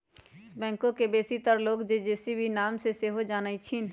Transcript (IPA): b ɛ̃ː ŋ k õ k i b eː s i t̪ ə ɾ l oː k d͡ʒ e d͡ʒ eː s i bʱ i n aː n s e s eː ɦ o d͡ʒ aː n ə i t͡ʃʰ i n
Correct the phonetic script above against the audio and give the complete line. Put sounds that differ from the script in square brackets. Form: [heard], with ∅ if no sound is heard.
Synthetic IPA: b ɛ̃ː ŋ k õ k [e] b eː s i t̪ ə ɾ l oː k d͡ʒ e d͡ʒ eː s i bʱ i n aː [m] s e s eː ɦ o d͡ʒ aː n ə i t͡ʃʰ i n